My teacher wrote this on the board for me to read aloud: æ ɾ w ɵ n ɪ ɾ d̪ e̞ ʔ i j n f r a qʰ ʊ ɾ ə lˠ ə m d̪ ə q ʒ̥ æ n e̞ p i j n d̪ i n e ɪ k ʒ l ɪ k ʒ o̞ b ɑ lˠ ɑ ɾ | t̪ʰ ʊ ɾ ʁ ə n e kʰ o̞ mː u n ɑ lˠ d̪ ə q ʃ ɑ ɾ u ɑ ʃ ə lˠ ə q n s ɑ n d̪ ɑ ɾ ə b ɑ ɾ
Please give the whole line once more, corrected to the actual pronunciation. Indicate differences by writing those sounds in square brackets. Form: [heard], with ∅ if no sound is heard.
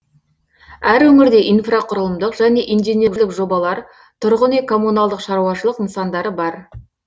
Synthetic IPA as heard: æ ɾ w ɵ [ŋ] ɪ ɾ d̪ e̞ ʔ i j n f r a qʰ ʊ ɾ ə lˠ ə m d̪ ə q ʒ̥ æ n e̞ [ʔ] i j n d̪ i n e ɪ k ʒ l ɪ k ʒ o̞ b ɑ lˠ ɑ ɾ | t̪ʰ ʊ ɾ ʁ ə n e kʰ o̞ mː u n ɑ lˠ d̪ ə q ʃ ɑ ɾ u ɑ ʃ ə lˠ ə q n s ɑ n d̪ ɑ ɾ ə b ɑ ɾ